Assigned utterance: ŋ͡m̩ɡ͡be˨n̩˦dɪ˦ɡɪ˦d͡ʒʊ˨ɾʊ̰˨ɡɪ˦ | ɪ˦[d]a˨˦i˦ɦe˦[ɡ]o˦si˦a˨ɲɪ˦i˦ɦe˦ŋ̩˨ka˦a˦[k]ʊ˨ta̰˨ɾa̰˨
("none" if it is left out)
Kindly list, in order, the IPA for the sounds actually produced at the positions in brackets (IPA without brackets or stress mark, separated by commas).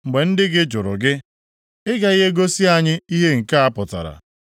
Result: ɡ, ɡ, p